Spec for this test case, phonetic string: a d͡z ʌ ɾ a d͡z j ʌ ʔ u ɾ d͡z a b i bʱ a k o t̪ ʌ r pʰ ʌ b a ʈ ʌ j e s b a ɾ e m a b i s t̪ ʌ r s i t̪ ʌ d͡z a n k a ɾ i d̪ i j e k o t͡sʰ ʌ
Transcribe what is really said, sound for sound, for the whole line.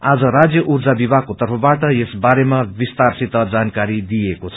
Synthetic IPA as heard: a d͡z ʌ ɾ a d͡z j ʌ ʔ u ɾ d͡z a b i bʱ a k o t̪ ʌ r pʰ ʌ b a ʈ ʌ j e s b a ɾ e m a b i s t̪ a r s i t̪ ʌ d͡z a n k a ɾ i d̪ i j e k o t͡sʰ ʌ